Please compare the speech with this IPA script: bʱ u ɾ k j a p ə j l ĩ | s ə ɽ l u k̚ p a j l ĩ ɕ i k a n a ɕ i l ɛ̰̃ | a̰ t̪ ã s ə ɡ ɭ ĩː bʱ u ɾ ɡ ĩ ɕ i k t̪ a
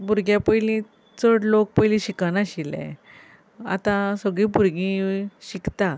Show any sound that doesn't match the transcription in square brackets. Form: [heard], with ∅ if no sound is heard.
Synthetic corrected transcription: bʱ u ɾ [ɡ] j a p ə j l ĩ | [t͡s] ə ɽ l [o] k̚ p [ə] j l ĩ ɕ i k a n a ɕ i l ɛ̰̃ | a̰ t̪ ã s ə ɡ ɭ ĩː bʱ u ɾ ɡ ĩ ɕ i k t̪ a